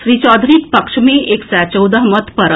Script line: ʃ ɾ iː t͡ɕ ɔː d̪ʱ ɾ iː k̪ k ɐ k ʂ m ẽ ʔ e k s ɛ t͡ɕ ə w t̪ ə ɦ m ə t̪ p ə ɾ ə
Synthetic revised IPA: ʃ ɾ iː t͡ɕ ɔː d̪ʱ ɾ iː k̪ p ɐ k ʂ m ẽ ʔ e k s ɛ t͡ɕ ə w d̪ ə ɦ m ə t̪ p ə ɾ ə